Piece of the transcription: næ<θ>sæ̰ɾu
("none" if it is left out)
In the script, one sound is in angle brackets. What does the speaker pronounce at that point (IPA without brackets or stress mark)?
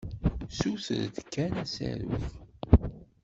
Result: none